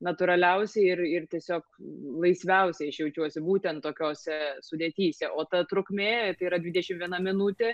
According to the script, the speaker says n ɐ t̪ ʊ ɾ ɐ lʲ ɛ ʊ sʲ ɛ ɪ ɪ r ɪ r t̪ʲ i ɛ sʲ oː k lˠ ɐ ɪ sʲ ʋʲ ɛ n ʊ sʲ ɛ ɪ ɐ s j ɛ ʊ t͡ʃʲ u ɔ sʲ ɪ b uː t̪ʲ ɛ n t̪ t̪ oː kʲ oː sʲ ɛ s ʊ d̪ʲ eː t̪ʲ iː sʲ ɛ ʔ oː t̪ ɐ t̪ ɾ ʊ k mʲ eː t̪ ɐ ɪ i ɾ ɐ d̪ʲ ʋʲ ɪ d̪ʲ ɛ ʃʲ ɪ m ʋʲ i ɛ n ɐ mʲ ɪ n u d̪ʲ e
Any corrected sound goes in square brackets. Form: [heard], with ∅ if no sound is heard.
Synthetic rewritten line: n ɐ t̪ ʊ ɾ ɐ lʲ ɛ ʊ sʲ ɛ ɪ ɪ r ɪ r t̪ʲ i ɛ sʲ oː k lˠ ɐ ɪ sʲ ʋʲ ɛ [∅] ʊ sʲ ɛ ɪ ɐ [ʃ] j ɛ ʊ t͡ʃʲ u ɔ sʲ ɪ b uː t̪ʲ ɛ n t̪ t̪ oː kʲ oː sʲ ɛ s ʊ d̪ʲ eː t̪ʲ iː sʲ ɛ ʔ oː t̪ ɐ t̪ ɾ ʊ k mʲ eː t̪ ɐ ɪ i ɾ ɐ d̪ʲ ʋʲ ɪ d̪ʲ ɛ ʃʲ ɪ m ʋʲ i ɛ n ɐ mʲ ɪ n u [t̪ʲ] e